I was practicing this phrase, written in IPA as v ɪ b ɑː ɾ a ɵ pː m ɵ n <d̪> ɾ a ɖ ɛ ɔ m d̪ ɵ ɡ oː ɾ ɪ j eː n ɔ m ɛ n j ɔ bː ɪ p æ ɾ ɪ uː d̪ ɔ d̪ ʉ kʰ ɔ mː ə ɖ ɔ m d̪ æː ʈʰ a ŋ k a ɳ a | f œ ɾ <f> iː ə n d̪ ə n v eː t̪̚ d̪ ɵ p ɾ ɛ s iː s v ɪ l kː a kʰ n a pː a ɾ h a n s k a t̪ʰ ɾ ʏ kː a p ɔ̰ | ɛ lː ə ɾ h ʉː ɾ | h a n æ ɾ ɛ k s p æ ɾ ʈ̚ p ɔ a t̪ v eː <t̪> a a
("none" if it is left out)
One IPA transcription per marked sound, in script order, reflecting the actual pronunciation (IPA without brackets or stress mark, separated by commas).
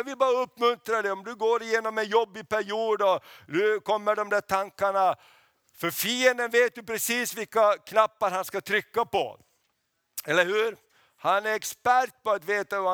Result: t̪, f, t̪